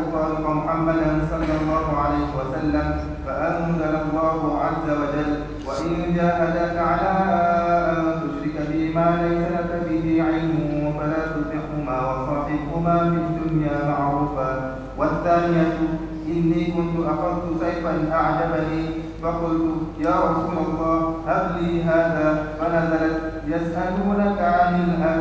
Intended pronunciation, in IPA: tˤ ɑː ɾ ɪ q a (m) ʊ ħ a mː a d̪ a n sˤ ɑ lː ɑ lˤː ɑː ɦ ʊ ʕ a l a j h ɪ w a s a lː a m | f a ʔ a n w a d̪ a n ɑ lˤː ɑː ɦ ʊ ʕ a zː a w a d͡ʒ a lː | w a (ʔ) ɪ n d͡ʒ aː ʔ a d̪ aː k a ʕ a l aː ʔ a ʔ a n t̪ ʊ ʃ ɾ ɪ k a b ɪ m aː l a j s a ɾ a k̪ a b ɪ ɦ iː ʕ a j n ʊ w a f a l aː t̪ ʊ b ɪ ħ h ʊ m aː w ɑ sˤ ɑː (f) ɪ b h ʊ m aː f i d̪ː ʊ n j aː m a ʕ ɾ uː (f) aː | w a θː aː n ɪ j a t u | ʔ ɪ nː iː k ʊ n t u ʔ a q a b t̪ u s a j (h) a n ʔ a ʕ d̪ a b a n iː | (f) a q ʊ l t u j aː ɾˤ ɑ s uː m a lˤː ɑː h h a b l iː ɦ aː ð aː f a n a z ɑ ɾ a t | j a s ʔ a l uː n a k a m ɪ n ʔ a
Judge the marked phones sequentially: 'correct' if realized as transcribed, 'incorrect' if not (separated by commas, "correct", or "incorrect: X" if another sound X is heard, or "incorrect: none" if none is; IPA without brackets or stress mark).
correct, correct, incorrect: ħ, correct, incorrect: f, correct